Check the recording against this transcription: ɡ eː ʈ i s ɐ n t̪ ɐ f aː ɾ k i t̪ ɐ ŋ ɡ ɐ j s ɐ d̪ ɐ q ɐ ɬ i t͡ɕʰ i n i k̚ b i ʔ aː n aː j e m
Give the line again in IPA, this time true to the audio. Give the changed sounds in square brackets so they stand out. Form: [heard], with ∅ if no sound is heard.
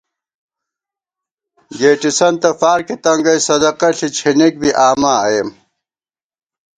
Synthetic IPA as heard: ɡ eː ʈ i s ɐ n t̪ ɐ f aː ɾ k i t̪ ɐ ŋ ɡ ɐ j s ɐ d̪ ɐ q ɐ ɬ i t͡ɕʰ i n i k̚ b i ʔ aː [m] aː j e m